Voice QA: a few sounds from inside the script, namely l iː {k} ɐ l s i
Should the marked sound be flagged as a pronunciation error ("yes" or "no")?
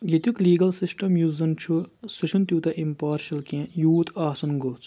yes